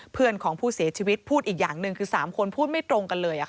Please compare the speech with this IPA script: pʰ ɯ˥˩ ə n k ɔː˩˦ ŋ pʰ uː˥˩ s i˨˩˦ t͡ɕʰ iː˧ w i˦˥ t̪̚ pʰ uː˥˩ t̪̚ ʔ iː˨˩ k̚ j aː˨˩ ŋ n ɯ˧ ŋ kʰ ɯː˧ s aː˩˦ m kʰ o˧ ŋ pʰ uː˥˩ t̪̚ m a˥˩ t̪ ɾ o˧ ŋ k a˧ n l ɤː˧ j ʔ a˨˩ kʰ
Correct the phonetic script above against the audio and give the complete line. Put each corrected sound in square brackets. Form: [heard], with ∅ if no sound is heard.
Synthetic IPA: pʰ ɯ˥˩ ə n [kʰ] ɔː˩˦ ŋ pʰ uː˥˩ s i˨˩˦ t͡ɕʰ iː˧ w i˦˥ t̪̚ pʰ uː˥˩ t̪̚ ʔ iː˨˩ k̚ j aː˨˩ ŋ n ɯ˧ ŋ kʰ ɯː˧ s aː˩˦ m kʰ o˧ [n] pʰ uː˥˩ t̪̚ m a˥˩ t̪ ɾ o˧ ŋ k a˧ n l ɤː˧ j ʔ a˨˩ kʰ